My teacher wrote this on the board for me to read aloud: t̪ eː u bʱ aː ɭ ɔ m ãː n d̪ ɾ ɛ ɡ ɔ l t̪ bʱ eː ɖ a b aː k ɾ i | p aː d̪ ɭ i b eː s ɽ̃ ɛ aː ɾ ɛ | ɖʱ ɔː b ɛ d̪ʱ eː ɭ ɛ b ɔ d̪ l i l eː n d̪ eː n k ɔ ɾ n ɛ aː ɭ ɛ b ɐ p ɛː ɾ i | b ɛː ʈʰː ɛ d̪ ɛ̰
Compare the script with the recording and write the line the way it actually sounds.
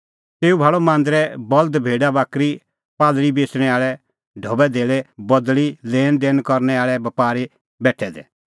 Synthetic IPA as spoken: t̪ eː u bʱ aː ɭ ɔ m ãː n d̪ ɾ ɛ b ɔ l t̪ bʱ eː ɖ a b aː k ɾ i | p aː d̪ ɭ i b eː s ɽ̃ ɛ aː ɭ ɛ | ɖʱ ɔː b ɛ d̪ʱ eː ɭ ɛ b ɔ d̪ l i l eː n d̪ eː n k ɔ ɾ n ɛ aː ɭ ɛ b ɐ p aː ɾ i | b ɛː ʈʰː ɛ d̪ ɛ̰

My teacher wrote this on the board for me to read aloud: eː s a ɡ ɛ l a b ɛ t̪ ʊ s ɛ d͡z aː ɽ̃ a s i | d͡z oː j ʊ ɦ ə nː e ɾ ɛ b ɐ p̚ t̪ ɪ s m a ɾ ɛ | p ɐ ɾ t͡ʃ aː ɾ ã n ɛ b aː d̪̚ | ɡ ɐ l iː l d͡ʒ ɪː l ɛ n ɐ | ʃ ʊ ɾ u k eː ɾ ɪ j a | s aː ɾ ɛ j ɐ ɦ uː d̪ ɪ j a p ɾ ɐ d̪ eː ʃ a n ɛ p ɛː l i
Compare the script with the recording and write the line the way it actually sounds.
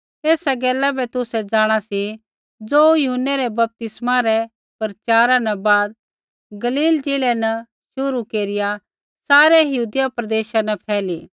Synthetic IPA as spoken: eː s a ɡ ɛː l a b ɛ t̪ ʊ s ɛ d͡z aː ɽ̃ a s i | d͡z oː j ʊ ɦ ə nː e ɾ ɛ b ɐ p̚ t̪ ɪ s m a ɾ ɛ | p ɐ ɾ t͡ʃ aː ɾ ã n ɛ b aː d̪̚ | ɡ ɐ l iː l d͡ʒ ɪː l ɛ n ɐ | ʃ ʊ ɾ u k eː ɾ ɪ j a | s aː ɾ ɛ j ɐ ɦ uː d̪ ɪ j a p ɾ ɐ d̪ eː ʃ a n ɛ pʰ ɛː l i

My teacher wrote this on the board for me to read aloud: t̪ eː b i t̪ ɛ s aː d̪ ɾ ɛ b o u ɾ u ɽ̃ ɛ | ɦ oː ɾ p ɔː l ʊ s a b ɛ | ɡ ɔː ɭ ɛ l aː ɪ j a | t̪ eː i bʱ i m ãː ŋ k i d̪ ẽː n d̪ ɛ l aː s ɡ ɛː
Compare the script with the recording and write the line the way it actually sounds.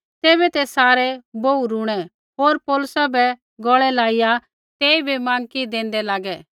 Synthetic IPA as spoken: t̪ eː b ɛ t̪ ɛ s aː ɾ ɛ b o u ɾ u ɽ̃ ɛ | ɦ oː ɾ p ɔː l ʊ s a b ɛ | ɡ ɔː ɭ ɛ l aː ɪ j a | t̪ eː i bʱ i m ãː ŋ k i d̪ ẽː n d̪ ɛ l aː ɡ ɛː

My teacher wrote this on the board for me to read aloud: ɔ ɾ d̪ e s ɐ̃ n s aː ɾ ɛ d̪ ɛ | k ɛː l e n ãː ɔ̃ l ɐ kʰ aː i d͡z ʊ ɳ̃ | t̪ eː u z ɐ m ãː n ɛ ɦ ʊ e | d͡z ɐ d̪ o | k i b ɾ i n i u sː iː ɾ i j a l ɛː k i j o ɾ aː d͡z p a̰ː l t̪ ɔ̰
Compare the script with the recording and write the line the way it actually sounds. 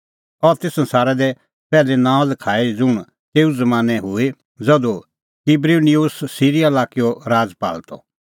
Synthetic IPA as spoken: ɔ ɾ t̪ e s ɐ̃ n s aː ɾ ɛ d̪ ɛ | p ɛː l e n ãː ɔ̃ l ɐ kʰ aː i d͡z ʊ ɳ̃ | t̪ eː u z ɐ m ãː n ɛ ɦ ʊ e | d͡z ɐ d̪ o | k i b ɾ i n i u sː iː ɾ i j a l aː k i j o ɾ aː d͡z p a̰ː l t̪ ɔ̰

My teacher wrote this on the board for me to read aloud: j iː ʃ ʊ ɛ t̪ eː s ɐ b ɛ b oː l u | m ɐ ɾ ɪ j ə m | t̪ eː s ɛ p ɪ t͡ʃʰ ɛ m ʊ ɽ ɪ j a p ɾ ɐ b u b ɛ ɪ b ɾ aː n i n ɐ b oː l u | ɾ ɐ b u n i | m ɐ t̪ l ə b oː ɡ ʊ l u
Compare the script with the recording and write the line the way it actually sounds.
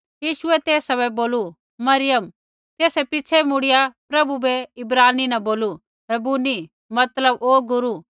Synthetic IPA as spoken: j iː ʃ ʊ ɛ t̪ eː s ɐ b ɛ b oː l u | m ɐ ɾ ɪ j ə m | t̪ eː s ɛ p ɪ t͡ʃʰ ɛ m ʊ ɽ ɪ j a p ɾ ɐ b u b ɛ ɪ b ɾ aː n i n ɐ b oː l u | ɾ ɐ b u n i | m ɐ t̪ l ə b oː ɡ ʊ ɾ u

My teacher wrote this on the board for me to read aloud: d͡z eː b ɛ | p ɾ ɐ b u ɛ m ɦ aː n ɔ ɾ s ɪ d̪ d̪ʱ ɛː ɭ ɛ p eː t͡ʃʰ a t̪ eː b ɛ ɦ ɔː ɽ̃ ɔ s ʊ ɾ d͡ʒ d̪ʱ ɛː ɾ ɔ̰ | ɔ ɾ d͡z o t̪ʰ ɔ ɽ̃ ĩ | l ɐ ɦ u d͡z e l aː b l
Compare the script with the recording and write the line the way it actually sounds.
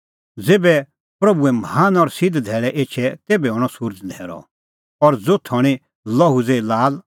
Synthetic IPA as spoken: d͡z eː b ɛ | p ɾ ɐ b u ɛ m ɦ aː n ɔ ɾ s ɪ d̪ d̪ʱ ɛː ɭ ɛ ʔ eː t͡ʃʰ ɛ t̪ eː b ɛ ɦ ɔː ɽ̃ ɔ s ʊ ɾ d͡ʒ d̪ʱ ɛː ɾ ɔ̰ | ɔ ɾ d͡z o t̪ʰ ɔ ɽ̃ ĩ | l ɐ ɦ u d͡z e l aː l

